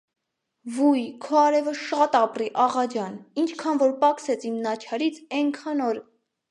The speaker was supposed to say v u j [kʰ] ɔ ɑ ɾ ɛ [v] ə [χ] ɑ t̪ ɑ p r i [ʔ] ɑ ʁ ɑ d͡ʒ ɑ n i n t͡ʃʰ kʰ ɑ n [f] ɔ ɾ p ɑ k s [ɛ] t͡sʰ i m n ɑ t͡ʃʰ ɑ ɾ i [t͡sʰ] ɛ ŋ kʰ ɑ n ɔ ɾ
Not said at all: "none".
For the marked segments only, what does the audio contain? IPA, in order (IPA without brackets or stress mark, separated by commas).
kʰ, v, ʃ, ʔ, v, ɛ, t͡sʰ